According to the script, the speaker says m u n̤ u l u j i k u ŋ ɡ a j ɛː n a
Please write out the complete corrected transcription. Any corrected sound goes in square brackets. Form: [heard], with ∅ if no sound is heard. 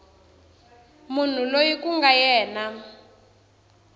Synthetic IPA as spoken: m u n̤ u l [o] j i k u ŋ ɡ a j ɛː n a

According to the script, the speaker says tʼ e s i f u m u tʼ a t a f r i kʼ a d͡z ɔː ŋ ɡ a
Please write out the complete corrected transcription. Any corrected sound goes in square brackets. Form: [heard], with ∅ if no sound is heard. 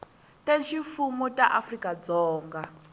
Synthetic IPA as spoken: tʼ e [ʃ] i f u m u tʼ a [ʔ] a f r i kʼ a d͡z ɔː ŋ ɡ a

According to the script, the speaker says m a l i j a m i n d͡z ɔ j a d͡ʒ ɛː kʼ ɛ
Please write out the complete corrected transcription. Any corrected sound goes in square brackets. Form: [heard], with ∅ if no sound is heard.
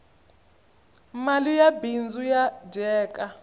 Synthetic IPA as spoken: m a l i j a [b] i n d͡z [u] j a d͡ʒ ɛː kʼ [a]

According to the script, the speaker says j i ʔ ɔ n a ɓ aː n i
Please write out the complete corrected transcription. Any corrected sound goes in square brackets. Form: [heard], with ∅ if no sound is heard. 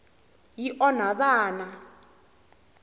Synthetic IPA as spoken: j i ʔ ɔ n a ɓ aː n [a]

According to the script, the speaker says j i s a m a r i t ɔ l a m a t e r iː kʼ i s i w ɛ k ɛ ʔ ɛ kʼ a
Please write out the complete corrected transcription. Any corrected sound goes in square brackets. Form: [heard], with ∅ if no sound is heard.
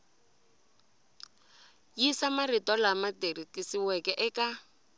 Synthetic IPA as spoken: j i s a m a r i t ɔ l a m a t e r [i] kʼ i s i w ɛ k ɛ ʔ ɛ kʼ a

